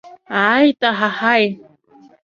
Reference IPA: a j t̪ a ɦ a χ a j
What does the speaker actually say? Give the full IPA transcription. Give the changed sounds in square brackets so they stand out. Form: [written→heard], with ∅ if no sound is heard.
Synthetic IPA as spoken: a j t̪ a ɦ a [χ→h] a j